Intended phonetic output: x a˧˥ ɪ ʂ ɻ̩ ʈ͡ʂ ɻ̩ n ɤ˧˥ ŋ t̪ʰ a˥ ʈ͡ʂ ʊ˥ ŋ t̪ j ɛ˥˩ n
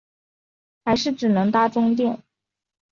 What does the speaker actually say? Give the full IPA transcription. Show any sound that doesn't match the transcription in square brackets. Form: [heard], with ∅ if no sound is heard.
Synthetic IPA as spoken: x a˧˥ ɪ ʂ ɻ̩ ʈ͡ʂ ɻ̩ n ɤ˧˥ ŋ [t̪] a˥ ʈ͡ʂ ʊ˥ ŋ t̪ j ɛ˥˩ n